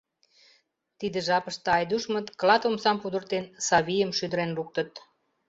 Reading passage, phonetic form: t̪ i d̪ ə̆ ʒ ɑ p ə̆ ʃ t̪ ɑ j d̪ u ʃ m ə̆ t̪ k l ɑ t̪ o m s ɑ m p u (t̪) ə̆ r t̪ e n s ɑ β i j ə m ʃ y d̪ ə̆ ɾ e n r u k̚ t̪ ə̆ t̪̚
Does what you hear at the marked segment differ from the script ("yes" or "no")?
yes